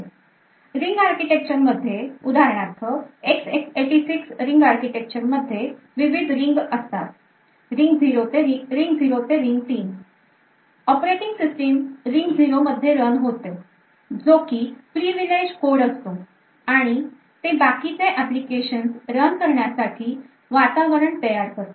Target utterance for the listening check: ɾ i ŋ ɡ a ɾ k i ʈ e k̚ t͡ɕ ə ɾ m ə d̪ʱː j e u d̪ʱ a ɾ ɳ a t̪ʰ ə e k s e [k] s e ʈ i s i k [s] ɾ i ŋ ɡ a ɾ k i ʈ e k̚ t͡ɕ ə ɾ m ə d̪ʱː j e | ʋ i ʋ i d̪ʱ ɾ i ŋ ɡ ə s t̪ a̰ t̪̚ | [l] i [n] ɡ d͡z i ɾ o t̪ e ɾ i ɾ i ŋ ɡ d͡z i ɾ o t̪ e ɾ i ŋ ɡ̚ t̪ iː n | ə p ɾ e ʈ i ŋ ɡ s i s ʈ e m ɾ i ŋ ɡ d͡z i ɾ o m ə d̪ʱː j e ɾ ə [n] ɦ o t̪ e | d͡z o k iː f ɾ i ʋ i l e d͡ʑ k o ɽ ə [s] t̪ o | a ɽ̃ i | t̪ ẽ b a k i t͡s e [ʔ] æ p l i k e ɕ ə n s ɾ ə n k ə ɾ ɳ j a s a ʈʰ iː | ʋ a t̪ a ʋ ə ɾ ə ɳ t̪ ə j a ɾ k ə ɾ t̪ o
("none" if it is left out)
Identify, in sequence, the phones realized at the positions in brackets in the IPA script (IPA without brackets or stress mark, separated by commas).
k, s, ɾ, ŋ, n, s, ʔ